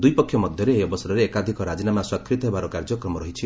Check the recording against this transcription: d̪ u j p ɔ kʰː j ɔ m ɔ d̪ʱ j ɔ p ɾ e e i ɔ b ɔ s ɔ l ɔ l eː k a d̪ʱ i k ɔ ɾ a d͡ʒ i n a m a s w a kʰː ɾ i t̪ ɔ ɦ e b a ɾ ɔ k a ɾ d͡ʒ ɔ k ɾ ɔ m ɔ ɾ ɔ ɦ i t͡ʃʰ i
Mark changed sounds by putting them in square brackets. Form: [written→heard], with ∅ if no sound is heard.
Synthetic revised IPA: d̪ u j p ɔ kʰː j ɔ m ɔ d̪ʱ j ɔ [p→∅] ɾ e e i ɔ b ɔ s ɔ [l→ɾ] ɔ [l→ɾ] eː k a d̪ʱ i k ɔ ɾ a d͡ʒ i n a m a s w a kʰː ɾ i t̪ ɔ ɦ e b a ɾ ɔ k a ɾ d͡ʒ ɔ k ɾ ɔ m ɔ ɾ ɔ ɦ i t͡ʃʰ i

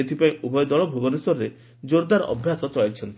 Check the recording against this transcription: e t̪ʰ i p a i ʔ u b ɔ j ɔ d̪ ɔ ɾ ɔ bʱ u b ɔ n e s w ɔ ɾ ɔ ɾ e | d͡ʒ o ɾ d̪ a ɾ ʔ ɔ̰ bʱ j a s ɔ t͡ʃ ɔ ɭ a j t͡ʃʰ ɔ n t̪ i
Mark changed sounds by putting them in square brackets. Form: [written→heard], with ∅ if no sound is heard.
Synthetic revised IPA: e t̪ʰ i p a [i→ĩ] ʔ u b ɔ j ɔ d̪ ɔ [ɾ→ɭ] ɔ bʱ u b ɔ n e s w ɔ ɾ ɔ ɾ e | d͡ʒ o ɾ d̪ a ɾ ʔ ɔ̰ bʱ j a s ɔ t͡ʃ ɔ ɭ a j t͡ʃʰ ɔ n t̪ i

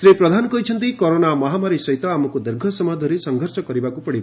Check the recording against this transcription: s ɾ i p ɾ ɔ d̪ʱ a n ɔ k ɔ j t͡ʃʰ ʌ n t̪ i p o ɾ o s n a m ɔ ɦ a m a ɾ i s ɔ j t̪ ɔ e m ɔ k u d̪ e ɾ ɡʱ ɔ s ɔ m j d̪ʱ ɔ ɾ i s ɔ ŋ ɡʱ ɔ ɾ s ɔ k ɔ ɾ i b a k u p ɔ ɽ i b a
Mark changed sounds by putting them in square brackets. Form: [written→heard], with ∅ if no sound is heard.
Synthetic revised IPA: s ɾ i p ɾ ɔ d̪ʱ a n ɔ k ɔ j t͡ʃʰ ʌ n t̪ i [p→k] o ɾ o [s→∅] n a m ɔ ɦ a m a ɾ i s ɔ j t̪ ɔ [e→a] m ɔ k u d̪ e ɾ ɡʱ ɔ s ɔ m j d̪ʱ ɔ ɾ i s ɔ ŋ ɡʱ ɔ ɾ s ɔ k ɔ ɾ i b a k u p ɔ ɽ i b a

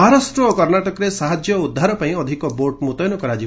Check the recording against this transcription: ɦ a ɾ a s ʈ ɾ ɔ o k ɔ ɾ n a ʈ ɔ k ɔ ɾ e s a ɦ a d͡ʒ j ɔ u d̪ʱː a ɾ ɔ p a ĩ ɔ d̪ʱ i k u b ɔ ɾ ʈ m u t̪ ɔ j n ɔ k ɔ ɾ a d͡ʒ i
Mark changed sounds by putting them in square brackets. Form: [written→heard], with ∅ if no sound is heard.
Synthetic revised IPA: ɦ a ɾ a s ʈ ɾ ɔ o k ɔ ɾ n a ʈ ɔ k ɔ ɾ e s a ɦ a d͡ʒ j ɔ u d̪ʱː a ɾ ɔ p a ĩ ɔ d̪ʱ i k [u→ɔ] b [ɔ→o] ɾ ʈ m u t̪ ɔ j n ɔ k ɔ ɾ a d͡ʒ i

